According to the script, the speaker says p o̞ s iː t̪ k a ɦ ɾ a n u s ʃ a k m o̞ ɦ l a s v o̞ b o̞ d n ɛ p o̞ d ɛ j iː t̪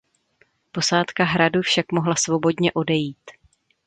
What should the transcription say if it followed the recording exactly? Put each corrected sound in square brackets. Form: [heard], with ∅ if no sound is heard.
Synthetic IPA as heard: p o̞ s [aː] t̪ k a ɦ ɾ a [d] u [f] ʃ a k m o̞ ɦ l a s v o̞ b o̞ d [ɲ] ɛ [ʔ] o̞ d ɛ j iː t̪

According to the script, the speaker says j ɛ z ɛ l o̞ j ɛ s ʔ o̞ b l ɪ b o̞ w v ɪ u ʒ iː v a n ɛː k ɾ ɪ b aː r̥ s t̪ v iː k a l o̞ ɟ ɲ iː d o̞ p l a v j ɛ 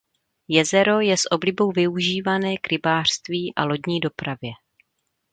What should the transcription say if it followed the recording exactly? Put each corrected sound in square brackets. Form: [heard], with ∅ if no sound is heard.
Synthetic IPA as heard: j ɛ z ɛ [ɾ] o̞ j ɛ s ʔ o̞ b l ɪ b o̞ w v ɪ u ʒ iː v a n ɛː k ɾ ɪ b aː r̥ s t̪ v iː [ʔ] a l o̞ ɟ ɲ iː d o̞ p [ɾ] a v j ɛ

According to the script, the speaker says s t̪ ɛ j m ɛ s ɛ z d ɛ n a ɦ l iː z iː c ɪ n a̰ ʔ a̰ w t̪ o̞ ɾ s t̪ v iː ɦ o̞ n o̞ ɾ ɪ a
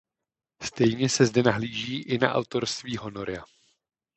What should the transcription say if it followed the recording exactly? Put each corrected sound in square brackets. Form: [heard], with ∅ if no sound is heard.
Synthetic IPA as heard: s t̪ ɛ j [ɲ] ɛ s ɛ z d ɛ n a ɦ l iː [ʒ] iː [ʔ] ɪ n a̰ ʔ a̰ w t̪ o̞ ɾ s t̪ v iː ɦ o̞ n o̞ ɾ ɪ a

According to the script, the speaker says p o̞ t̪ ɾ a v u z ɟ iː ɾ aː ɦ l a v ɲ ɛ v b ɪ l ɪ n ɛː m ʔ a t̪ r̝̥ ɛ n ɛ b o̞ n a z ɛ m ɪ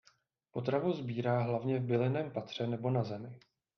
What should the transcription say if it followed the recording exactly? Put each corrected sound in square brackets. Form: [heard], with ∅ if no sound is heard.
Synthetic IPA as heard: p o̞ t̪ ɾ a v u z [b] iː ɾ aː ɦ l a v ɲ ɛ v b ɪ l ɪ n ɛː m [p] a t̪ r̝̥ ɛ n ɛ b o̞ n a z ɛ m ɪ

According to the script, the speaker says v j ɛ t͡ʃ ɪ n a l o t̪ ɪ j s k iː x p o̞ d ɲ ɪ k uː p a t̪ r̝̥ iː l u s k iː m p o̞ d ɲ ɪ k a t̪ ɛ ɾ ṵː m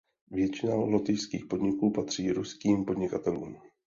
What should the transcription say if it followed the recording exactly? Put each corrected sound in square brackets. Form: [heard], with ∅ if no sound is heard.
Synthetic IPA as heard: v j ɛ t͡ʃ ɪ n a l o t̪ ɪ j s k iː x p o̞ d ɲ ɪ k uː p a t̪ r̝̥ iː [ɾ] u s k iː m p o̞ d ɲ ɪ k a t̪ ɛ [l] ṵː m

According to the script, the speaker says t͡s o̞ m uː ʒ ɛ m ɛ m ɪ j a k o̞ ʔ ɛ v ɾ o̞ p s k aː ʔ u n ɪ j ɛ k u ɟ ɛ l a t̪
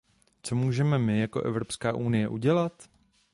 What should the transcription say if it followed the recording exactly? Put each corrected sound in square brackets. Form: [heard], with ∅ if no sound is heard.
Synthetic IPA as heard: t͡s o̞ m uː ʒ ɛ m ɛ m ɪ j a k o̞ ʔ ɛ v ɾ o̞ p s k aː ʔ u n ɪ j ɛ [ʔ] u ɟ ɛ l a t̪

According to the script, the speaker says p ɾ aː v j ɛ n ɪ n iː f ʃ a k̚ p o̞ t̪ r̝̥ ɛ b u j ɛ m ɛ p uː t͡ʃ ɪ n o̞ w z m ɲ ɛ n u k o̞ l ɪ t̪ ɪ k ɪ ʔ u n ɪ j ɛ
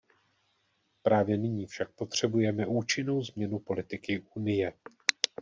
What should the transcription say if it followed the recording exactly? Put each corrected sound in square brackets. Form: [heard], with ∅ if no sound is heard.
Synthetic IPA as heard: p ɾ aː v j ɛ n ɪ [ɲ] iː f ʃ a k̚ p o̞ t̪ r̝̥ ɛ b u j ɛ m ɛ [ʔ] uː t͡ʃ ɪ n o̞ w z m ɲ ɛ n u [p] o̞ l ɪ t̪ ɪ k ɪ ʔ u n ɪ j ɛ

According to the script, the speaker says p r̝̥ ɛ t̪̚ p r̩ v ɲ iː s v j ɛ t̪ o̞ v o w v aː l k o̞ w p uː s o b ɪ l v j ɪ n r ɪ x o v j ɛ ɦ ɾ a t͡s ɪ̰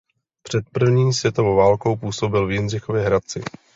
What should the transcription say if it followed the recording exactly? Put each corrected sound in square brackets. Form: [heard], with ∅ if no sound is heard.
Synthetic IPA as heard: p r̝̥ ɛ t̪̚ p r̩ v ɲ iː s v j ɛ t̪ o̞ v o w v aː l k o̞ w p uː s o b ɪ l v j ɪ n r ɪ x o v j ɛ ɦ ɾ a t͡s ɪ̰

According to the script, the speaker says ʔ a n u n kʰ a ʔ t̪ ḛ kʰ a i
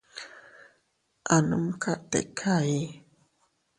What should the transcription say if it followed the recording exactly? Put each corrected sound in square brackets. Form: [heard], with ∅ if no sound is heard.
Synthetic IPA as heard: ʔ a n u [m] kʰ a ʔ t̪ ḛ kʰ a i

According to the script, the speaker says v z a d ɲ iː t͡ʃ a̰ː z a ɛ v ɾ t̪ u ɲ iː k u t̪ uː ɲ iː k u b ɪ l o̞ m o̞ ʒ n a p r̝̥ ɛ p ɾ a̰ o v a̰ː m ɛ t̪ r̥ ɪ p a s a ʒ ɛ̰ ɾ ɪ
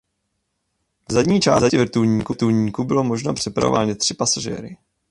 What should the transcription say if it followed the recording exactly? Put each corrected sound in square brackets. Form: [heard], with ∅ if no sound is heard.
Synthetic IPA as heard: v z a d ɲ iː t͡ʃ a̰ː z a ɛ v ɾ t̪ u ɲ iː k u t̪ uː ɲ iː k u b ɪ l o̞ m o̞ ʒ n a p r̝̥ ɛ p ɾ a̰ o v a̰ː [ɲ] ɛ t̪ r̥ ɪ p a s a ʒ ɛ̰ ɾ ɪ

